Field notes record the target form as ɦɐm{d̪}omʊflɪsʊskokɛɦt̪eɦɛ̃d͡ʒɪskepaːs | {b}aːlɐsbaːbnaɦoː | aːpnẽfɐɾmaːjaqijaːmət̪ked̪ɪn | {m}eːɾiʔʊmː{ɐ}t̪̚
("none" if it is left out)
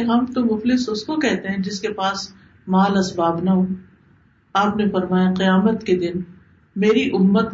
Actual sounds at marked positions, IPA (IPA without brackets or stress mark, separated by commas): t̪, m, m, ə